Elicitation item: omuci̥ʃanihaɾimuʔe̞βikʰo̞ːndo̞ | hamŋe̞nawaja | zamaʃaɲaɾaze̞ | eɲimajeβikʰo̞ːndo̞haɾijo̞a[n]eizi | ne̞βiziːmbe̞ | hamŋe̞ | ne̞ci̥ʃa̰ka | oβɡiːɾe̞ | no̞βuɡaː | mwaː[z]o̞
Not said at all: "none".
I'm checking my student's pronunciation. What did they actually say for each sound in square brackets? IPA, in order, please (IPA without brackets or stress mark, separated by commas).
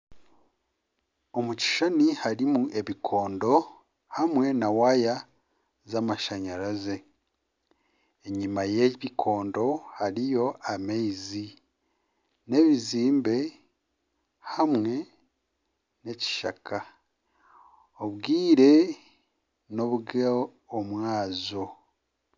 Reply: m, z